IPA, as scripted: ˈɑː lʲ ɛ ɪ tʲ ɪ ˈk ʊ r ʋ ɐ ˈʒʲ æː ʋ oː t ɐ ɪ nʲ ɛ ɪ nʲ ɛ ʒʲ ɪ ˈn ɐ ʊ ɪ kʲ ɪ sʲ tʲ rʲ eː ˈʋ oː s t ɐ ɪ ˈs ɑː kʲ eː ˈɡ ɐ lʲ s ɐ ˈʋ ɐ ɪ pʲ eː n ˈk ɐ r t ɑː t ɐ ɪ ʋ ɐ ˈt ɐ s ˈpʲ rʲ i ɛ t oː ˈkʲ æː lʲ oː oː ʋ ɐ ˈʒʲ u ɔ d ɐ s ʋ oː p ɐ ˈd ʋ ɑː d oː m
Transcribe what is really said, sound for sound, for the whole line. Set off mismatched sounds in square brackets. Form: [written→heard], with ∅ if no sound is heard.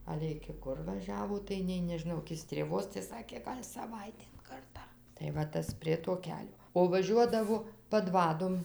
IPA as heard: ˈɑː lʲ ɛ ɪ [tʲ→kʲ] ɪ ˈk ʊ r ʋ ɐ ˈʒʲ æː ʋ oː t ɐ ɪ nʲ ɛ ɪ nʲ ɛ ʒʲ ɪ ˈn ɐ ʊ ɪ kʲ ɪ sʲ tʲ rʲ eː ˈʋ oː s t ɐ ɪ ˈs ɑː kʲ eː ˈɡ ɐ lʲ s ɐ ˈʋ ɐ ɪ [pʲ→tʲ] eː n ˈk ɐ r t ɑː t ɐ ɪ ʋ ɐ ˈt ɐ s ˈpʲ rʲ i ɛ t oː ˈkʲ æː lʲ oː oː ʋ ɐ ˈʒʲ u ɔ d ɐ [s→∅] ʋ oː p ɐ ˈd ʋ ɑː d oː m